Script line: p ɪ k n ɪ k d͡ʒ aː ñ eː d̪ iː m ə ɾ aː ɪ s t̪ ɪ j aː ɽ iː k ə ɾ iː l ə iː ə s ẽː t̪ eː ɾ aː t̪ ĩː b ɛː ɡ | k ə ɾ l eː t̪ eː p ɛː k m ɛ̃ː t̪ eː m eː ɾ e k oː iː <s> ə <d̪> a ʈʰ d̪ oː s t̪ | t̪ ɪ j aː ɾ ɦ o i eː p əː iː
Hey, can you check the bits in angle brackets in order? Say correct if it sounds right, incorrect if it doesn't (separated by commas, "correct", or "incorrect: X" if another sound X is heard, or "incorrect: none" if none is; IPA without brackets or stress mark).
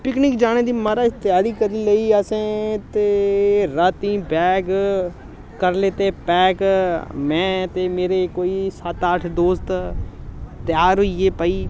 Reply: correct, incorrect: t̪